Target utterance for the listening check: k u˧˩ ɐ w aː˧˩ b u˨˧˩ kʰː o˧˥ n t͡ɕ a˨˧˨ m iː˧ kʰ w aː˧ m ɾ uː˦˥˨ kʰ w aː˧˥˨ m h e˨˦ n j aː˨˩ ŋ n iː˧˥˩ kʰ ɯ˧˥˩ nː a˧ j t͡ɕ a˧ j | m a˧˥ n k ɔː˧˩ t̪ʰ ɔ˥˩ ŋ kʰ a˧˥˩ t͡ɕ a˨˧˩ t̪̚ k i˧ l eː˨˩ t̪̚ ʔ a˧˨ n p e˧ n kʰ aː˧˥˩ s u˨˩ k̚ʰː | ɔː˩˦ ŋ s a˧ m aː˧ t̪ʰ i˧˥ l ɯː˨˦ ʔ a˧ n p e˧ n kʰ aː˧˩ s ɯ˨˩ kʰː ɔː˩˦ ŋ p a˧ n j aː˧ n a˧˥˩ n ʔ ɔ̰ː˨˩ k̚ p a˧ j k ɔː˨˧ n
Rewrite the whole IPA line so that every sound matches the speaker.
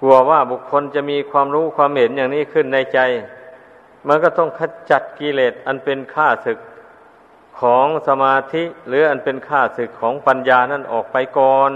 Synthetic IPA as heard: k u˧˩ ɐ w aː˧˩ b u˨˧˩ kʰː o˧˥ n t͡ɕ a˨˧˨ m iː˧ kʰ w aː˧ m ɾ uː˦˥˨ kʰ w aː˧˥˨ m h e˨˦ n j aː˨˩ ŋ n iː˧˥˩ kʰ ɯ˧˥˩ nː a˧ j t͡ɕ a˧ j | m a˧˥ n k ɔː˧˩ t̪ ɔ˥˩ ŋ kʰ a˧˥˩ t͡ɕ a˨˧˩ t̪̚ k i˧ l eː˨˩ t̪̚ ʔ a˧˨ n p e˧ n kʰ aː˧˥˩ s ɯ˨˩ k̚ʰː | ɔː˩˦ ŋ s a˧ m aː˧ t̪ʰ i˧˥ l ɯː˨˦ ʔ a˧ n p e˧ n kʰ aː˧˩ s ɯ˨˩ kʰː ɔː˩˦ ŋ p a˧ n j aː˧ n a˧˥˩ n ʔ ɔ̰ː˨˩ k̚ p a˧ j k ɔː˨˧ n